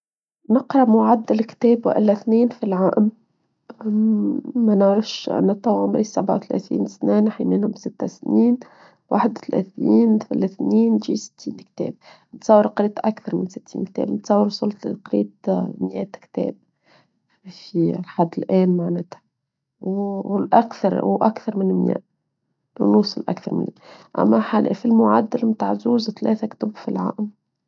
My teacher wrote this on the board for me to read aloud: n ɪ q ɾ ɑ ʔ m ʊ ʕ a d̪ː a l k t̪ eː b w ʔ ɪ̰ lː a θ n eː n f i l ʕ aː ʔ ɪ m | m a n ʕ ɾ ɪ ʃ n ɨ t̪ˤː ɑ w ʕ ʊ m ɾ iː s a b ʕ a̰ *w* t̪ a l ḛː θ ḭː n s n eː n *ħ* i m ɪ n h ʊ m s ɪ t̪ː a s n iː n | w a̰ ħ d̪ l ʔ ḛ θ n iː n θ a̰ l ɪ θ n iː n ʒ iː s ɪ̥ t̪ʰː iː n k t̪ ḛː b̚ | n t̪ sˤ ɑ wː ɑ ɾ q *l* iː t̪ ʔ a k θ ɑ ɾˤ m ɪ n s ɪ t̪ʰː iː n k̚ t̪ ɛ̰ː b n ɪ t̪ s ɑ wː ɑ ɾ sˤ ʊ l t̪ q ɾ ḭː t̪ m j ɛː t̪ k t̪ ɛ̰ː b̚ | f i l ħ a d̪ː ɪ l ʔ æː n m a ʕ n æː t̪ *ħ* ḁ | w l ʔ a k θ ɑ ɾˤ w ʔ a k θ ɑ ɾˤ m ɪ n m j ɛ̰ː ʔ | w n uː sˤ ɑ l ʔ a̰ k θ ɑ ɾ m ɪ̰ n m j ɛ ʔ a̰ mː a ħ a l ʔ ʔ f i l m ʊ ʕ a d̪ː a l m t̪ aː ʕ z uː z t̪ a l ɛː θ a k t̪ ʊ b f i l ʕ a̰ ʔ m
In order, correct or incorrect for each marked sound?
correct, correct, incorrect, incorrect

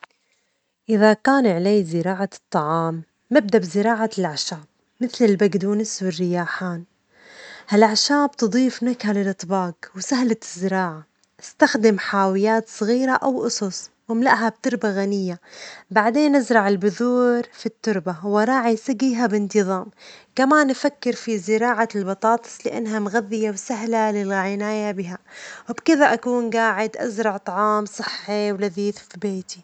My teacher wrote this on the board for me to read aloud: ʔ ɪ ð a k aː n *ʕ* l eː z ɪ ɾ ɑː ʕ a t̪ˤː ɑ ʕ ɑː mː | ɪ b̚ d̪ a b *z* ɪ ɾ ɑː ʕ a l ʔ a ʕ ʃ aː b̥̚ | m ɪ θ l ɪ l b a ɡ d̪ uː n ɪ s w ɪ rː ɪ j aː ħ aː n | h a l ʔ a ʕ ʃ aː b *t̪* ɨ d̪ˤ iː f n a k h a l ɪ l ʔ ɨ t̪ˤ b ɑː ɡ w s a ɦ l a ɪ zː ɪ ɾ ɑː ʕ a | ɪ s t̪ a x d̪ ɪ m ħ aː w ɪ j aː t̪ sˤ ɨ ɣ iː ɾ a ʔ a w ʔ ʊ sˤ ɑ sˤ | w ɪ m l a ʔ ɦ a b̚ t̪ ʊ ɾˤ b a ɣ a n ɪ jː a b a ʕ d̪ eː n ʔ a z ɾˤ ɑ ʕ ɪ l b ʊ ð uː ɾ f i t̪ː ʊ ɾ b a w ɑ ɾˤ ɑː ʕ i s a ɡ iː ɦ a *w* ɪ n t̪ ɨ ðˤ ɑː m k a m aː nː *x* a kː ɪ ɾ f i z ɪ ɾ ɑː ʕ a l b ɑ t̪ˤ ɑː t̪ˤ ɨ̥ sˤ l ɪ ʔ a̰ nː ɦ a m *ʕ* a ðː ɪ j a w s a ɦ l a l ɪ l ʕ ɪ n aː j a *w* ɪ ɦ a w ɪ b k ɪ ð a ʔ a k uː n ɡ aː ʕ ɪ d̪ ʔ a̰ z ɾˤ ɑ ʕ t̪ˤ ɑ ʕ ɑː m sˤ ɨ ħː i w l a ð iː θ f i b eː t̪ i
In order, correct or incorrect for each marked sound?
correct, correct, correct, incorrect, incorrect, incorrect, incorrect

